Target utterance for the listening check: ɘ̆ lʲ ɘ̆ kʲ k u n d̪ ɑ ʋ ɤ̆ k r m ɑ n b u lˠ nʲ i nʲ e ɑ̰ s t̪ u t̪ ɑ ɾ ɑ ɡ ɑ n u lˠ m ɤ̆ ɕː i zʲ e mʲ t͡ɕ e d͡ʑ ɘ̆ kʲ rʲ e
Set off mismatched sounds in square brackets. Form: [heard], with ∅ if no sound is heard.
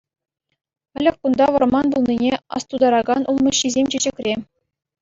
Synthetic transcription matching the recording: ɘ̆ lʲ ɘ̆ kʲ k u n d̪ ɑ ʋ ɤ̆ [∅] r m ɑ n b u lˠ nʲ i nʲ e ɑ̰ s t̪ u [d̪] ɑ ɾ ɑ ɡ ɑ n u lˠ m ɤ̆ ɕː i zʲ e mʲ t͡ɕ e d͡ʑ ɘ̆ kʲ rʲ e